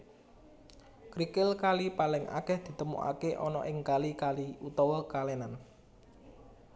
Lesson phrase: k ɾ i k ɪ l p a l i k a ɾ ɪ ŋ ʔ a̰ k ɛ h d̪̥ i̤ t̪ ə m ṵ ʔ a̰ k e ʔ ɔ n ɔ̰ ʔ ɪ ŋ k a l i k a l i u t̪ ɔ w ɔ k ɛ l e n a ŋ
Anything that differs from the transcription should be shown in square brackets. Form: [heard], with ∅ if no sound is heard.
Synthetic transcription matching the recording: k ɾ i k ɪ l [k] a l i [p] a [l] ɪ ŋ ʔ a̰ k ɛ h d̪̥ i̤ t̪ ə m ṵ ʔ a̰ k e ʔ ɔ n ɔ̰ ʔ ɪ ŋ k a l i k a l i u t̪ ɔ w ɔ k [a] l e n a [n]